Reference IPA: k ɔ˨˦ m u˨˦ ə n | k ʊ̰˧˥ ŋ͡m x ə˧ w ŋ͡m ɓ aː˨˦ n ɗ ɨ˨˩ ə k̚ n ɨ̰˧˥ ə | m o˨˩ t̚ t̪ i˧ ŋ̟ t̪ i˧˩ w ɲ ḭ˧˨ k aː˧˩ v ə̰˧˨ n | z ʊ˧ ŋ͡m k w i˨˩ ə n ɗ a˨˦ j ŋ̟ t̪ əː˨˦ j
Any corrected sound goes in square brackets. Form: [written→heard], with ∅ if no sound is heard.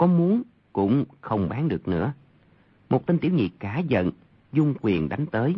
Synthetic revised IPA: k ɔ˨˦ m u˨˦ ə n | k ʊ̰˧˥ ŋ͡m x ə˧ w ŋ͡m ɓ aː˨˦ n ɗ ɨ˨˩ ə k̚ n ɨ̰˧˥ ə | m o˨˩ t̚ t̪ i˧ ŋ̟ t̪ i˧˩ w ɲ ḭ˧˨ k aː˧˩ [v→z] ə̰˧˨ n | z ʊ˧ ŋ͡m k w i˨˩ ə n ɗ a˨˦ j ŋ̟ t̪ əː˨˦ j